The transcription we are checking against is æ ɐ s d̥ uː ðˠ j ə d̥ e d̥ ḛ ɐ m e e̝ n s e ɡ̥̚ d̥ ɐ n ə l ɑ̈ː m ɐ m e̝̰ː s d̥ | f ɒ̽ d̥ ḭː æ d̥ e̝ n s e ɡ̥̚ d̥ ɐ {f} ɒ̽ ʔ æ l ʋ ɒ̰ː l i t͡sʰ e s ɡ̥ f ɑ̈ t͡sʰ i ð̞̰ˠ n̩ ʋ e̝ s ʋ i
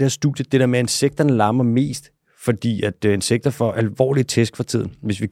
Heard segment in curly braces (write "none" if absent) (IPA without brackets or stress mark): f